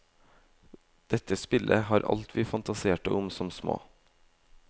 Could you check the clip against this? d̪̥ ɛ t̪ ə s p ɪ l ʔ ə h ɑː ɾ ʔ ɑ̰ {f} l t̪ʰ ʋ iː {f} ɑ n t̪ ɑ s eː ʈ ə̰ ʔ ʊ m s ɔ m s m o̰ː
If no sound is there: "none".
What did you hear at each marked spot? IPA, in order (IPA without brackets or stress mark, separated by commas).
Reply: none, f